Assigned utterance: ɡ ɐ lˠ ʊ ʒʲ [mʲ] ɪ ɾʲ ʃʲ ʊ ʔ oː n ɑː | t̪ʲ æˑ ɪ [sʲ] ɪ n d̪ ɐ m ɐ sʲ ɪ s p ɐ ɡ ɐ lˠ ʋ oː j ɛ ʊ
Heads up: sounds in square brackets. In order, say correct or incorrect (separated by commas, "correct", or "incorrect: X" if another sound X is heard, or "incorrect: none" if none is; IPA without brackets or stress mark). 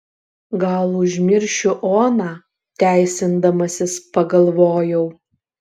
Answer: correct, correct